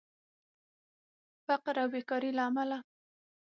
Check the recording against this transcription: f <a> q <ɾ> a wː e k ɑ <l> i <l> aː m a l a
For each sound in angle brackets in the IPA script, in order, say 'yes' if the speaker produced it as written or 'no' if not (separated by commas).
yes, yes, no, yes